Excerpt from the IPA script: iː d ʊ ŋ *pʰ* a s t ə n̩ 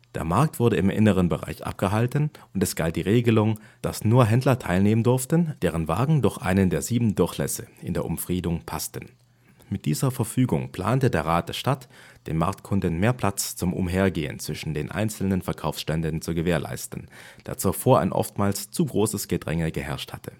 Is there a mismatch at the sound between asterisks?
no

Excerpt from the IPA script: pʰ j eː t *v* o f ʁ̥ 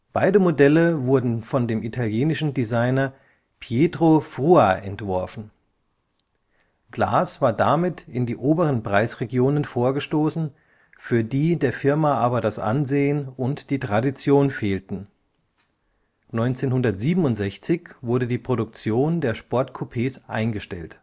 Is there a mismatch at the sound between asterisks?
yes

